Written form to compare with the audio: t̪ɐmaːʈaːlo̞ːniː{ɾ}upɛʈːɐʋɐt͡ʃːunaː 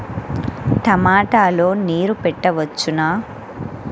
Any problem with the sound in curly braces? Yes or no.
no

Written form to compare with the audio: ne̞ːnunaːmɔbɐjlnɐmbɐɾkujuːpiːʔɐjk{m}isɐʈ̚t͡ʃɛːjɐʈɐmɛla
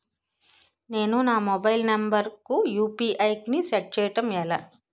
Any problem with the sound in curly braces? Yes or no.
yes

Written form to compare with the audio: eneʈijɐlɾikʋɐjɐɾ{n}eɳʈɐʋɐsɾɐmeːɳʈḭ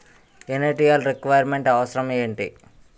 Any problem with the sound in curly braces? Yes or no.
yes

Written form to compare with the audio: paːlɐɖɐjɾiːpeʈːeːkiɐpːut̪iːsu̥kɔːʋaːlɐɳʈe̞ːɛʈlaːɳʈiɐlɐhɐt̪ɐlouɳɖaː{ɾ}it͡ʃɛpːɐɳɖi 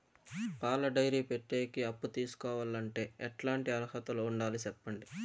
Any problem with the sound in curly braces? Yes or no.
yes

